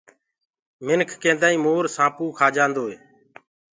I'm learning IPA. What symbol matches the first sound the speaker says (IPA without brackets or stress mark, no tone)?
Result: m